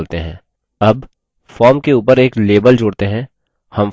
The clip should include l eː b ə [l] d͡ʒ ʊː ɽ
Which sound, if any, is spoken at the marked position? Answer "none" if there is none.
l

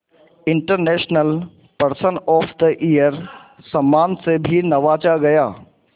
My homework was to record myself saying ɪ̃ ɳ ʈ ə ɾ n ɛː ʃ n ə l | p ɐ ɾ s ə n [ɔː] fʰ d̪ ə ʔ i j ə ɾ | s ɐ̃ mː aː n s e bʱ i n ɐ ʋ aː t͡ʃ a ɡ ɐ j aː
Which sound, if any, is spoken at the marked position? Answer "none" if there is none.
ɔː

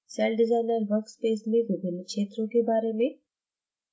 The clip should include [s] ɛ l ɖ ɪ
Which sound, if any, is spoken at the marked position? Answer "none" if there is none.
s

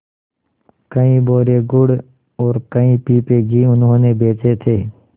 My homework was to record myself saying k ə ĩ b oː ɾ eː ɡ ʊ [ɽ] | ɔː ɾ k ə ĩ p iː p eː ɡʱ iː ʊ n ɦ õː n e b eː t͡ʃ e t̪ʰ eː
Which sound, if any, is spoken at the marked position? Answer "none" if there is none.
ɽ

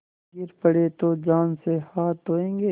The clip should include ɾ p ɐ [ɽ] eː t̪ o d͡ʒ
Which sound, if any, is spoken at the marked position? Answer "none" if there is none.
ɽ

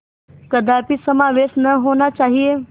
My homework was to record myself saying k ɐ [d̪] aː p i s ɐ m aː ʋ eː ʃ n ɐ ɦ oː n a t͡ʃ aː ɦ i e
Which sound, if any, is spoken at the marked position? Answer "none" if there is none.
d̪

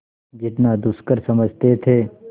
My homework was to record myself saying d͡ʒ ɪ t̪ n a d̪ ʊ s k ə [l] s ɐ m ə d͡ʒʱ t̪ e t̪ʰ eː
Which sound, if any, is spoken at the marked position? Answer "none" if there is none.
ɾ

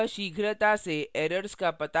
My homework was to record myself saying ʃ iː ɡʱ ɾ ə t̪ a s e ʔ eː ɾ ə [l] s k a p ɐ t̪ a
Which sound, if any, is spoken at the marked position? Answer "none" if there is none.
ɾ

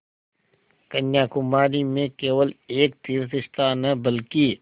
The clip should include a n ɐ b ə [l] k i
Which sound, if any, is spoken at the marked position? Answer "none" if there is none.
l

